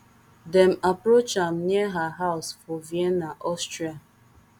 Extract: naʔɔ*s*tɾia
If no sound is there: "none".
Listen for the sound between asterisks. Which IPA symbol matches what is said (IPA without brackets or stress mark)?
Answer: s